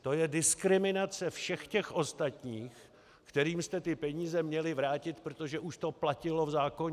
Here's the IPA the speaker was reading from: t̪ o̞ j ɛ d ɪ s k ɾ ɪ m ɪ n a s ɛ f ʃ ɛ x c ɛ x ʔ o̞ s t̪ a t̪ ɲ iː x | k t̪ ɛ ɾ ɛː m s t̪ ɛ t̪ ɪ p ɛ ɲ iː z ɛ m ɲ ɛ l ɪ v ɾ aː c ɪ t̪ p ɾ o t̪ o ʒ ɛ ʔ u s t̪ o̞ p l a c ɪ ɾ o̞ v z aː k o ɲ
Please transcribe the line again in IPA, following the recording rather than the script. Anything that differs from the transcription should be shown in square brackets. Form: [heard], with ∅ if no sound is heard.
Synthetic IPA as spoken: t̪ o̞ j ɛ d ɪ s k ɾ ɪ m ɪ n a [t͡s] ɛ f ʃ ɛ x c ɛ x ʔ o̞ s t̪ a t̪ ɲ iː x | k t̪ ɛ ɾ [iː] m s t̪ ɛ t̪ ɪ p ɛ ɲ iː z ɛ m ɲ ɛ l ɪ v ɾ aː c ɪ t̪ p ɾ o t̪ o ʒ ɛ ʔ u [ʃ] t̪ o̞ p l a c ɪ [l] o̞ v z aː k o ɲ